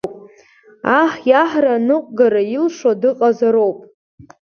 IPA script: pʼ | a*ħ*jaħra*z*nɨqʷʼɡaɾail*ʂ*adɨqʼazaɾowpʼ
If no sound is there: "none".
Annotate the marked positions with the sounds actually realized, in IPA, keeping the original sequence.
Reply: ħ, none, ʂ

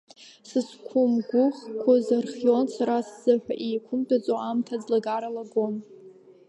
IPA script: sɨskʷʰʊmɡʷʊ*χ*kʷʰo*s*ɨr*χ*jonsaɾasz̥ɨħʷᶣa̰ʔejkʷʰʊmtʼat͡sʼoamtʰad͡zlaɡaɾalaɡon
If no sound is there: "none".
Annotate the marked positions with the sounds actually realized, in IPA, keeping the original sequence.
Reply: χ, z, χ

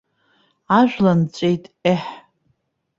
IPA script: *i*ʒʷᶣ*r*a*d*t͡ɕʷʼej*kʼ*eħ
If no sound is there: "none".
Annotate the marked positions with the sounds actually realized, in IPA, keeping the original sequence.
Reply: a, l, n, tʼ

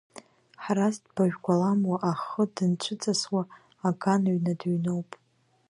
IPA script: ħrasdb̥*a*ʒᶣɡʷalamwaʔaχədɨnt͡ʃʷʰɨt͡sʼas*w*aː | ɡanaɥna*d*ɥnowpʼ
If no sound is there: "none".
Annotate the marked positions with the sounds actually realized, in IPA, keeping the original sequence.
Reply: a, w, d

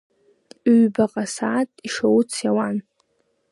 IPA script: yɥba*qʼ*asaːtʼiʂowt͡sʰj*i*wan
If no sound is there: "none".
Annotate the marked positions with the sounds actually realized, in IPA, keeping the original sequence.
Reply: qʼ, a

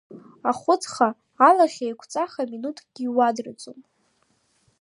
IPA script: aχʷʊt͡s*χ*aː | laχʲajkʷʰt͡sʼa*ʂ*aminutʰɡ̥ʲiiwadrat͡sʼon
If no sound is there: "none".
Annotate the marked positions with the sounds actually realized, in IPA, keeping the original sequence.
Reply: χ, χ

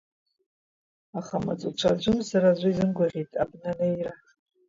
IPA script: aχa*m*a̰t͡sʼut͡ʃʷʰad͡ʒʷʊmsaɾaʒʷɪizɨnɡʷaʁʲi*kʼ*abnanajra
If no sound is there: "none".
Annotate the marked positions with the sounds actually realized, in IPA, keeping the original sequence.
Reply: m, tʼ

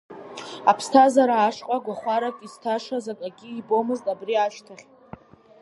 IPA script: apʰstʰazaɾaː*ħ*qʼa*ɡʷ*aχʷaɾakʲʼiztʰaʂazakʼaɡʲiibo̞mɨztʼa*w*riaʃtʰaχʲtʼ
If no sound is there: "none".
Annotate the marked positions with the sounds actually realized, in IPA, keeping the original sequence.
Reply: ʂ, ɡʷ, b

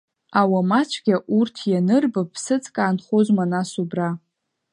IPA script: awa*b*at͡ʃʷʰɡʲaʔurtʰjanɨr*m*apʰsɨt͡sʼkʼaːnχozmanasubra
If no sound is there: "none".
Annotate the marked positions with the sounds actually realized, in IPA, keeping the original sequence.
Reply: m, b

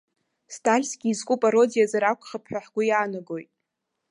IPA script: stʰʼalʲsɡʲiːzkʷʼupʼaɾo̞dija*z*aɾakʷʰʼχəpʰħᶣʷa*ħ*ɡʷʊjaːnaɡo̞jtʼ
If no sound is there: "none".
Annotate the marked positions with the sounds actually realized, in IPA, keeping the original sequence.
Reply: z, ħ

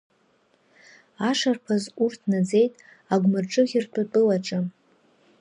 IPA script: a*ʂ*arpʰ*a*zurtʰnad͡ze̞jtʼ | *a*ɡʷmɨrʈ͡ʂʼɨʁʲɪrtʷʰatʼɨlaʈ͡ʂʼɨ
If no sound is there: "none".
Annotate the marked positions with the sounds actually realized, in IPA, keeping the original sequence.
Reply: ʂ, a, a

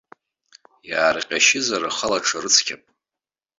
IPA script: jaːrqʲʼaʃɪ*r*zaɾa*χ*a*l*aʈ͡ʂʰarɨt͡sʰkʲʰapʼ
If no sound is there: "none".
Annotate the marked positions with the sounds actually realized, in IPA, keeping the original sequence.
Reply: none, χ, l

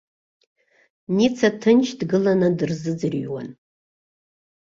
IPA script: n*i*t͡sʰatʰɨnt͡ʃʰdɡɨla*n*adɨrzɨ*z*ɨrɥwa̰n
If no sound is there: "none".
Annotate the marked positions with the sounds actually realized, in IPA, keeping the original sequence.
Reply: i, n, d͡z

